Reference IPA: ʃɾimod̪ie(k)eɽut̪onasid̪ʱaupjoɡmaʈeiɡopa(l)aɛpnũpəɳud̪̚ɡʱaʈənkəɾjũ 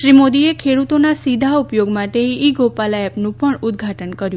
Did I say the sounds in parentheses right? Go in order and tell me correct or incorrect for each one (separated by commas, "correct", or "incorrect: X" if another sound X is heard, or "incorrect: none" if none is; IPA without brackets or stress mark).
incorrect: kʰ, correct